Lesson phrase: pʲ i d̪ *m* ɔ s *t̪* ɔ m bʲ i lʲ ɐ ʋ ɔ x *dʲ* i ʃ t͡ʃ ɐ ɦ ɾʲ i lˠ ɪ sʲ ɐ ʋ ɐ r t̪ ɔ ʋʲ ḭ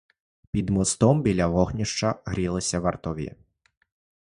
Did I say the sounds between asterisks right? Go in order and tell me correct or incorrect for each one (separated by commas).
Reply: correct, correct, incorrect